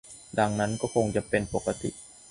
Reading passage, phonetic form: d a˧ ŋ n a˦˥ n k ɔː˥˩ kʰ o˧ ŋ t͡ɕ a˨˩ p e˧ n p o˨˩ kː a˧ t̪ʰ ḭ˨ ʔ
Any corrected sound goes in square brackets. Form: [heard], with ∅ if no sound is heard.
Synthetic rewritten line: d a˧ ŋ n a˦˥ n k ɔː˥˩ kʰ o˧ ŋ t͡ɕ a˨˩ p e˧ n p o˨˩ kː a˧ [t̪] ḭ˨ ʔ